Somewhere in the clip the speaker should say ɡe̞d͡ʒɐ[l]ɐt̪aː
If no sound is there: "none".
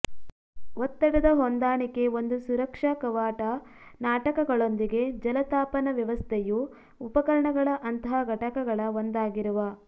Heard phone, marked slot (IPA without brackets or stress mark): l